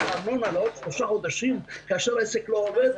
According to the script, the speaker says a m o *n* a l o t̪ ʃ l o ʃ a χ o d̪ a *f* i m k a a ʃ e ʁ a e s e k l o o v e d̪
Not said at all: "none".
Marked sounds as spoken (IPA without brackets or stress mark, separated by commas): n, ʃ